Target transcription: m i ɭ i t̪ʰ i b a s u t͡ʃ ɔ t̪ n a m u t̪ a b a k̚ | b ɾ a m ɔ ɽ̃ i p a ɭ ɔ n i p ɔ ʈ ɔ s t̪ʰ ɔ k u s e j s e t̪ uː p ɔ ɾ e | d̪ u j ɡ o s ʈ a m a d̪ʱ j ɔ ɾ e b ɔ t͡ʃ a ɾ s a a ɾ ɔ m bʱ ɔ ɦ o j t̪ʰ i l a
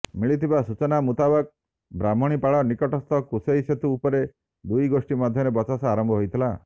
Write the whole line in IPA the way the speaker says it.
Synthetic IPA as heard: m i ɭ i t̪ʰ i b a s u t͡ʃ ɔ n a m u t̪ a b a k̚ | b ɾ a m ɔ ɽ̃ i p a ɭ ɔ n i k ɔ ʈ ɔ s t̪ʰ ɔ k u s e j s e t̪ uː p ɔ ɾ e | d̪ u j ɡ o s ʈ i m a d̪ʱ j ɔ ɾ e b ɔ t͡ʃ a s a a ɾ ɔ m bʱ ɔ ɦ o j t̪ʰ i l a